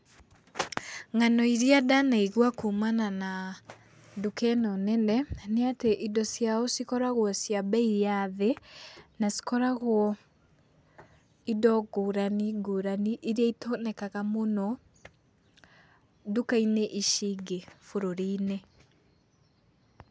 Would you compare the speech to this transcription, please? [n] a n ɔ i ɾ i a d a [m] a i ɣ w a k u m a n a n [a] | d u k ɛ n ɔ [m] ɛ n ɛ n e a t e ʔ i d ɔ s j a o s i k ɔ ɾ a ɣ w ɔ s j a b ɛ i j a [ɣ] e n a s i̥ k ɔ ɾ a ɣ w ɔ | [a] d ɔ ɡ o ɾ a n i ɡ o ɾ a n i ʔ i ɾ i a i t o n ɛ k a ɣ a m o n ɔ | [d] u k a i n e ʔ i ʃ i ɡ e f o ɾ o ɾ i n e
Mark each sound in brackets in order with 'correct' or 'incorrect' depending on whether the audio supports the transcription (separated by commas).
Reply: incorrect, incorrect, correct, incorrect, incorrect, incorrect, correct